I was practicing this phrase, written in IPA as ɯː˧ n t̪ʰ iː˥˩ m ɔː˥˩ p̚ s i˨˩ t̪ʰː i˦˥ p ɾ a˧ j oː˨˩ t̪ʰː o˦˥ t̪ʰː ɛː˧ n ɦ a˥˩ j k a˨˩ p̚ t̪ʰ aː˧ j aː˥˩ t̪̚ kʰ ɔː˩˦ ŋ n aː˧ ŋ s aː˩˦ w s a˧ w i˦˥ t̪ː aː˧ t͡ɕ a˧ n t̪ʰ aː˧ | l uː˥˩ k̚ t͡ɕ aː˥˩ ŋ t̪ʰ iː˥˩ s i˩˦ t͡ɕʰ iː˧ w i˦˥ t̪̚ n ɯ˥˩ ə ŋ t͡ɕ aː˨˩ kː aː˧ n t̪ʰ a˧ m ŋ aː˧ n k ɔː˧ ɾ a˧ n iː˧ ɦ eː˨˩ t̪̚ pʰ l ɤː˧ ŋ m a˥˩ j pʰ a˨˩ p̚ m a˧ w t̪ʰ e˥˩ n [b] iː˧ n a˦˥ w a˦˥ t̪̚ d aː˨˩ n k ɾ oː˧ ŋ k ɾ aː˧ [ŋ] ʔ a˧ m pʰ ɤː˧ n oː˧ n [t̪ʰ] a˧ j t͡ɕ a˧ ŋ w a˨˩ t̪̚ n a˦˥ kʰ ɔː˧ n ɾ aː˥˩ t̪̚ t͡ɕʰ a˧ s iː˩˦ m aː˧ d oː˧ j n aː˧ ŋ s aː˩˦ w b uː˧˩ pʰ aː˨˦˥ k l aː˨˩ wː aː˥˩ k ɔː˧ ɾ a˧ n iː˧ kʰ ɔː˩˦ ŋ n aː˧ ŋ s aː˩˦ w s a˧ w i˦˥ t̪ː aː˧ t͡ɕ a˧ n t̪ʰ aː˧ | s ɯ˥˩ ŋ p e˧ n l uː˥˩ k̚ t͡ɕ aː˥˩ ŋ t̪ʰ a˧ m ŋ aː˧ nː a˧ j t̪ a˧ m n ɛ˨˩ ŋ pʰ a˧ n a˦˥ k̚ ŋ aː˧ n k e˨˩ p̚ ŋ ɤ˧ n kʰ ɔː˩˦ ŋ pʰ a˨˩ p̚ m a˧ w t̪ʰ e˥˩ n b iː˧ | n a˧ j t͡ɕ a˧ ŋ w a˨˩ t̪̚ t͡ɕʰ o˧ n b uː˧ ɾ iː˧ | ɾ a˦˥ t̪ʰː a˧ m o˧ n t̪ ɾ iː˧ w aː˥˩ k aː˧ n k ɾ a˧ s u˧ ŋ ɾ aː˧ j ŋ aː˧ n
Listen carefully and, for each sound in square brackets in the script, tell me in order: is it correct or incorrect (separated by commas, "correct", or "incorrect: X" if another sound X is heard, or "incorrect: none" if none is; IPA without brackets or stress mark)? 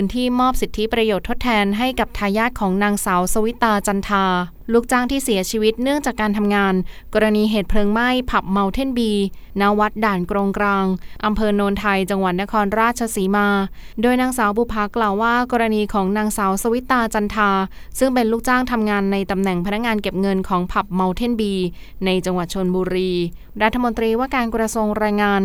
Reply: correct, correct, correct